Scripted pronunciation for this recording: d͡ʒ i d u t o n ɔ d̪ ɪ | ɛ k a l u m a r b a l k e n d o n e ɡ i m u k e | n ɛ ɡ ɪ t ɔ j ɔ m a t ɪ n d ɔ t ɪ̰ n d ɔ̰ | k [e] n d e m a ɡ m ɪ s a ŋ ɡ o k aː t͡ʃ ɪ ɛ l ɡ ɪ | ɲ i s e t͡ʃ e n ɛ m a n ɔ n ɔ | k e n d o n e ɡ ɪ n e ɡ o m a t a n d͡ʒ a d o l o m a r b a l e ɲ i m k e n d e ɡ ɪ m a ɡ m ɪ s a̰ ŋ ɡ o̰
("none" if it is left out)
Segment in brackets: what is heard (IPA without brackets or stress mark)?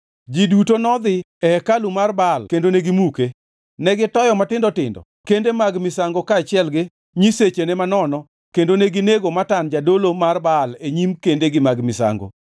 e